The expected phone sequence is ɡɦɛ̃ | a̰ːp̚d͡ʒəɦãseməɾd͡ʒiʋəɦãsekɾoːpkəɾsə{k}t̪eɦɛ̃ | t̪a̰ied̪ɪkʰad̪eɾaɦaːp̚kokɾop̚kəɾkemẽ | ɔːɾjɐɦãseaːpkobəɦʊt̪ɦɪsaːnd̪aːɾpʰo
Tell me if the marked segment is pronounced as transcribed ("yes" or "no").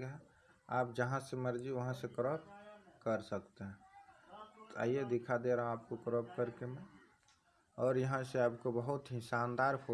yes